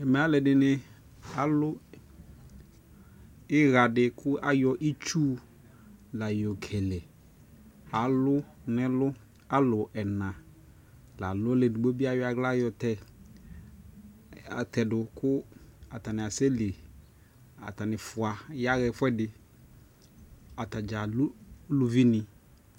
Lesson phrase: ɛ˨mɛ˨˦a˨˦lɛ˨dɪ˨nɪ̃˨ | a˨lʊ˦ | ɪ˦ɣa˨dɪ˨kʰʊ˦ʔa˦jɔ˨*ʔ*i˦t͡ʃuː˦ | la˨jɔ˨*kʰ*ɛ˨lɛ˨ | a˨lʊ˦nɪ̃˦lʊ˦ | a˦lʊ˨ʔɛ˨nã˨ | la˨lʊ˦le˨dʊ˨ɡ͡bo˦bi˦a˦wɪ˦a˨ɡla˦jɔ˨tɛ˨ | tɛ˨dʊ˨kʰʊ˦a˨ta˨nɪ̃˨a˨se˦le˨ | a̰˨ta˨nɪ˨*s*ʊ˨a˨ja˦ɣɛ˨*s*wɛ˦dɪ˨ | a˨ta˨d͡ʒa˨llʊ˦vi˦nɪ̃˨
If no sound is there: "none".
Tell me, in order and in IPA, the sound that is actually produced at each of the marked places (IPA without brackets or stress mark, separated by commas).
ʔ, kʰ, f, f